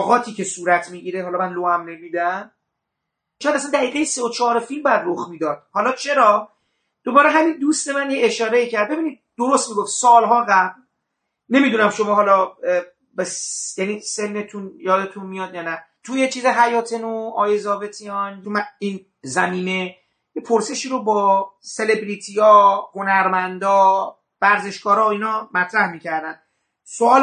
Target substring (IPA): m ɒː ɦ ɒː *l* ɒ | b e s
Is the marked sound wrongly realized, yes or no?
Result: no